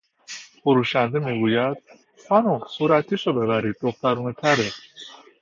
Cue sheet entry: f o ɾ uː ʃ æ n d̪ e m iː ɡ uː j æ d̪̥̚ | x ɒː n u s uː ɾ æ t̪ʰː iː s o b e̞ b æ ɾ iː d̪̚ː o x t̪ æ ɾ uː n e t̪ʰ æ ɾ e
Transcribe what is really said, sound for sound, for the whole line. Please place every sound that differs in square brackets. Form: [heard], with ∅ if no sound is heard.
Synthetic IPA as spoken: f o ɾ uː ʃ æ n d̪ e m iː ɡ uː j æ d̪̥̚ | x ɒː n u s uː ɾ æ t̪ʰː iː [ʃ] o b e̞ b æ ɾ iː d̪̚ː o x t̪ æ ɾ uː n e t̪ʰ æ ɾ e